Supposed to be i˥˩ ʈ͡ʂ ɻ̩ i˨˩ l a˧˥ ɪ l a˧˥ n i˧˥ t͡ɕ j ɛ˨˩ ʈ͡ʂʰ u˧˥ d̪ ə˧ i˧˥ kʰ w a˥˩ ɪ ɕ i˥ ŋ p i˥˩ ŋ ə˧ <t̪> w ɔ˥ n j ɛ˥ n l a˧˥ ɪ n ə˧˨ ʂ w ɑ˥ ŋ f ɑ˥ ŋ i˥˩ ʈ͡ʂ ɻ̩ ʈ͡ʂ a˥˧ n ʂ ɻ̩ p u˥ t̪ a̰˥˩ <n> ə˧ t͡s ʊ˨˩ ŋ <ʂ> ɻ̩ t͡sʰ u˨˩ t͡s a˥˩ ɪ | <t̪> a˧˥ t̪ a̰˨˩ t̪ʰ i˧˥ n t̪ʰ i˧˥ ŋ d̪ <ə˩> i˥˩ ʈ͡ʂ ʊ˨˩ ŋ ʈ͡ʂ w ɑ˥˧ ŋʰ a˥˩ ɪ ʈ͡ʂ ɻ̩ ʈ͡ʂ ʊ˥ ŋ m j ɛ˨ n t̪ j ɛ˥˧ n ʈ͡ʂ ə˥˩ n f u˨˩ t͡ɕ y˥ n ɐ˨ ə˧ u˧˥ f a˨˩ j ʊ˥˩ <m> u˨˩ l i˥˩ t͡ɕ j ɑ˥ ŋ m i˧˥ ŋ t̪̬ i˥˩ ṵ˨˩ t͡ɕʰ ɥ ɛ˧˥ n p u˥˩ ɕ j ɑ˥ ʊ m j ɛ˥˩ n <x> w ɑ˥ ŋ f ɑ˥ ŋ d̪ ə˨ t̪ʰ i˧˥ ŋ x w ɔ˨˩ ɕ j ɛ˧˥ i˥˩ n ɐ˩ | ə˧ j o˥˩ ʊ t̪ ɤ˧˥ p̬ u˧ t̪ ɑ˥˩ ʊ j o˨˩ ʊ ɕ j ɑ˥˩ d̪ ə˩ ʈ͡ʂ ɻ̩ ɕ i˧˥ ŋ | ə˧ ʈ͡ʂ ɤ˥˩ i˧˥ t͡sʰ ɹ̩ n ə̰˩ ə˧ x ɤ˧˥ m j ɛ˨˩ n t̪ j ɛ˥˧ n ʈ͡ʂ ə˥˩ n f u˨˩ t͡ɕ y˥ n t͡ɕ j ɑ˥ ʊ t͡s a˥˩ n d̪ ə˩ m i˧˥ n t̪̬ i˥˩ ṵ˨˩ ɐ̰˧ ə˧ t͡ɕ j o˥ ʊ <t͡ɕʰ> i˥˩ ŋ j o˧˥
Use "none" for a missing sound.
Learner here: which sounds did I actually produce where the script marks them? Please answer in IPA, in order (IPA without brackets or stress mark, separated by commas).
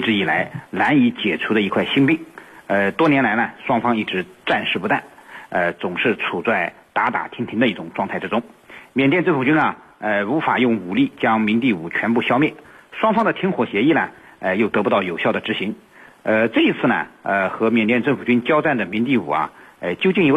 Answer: t̪, n, ʂ, t̪, ə˧, ŋ, ʂ, t͡ɕ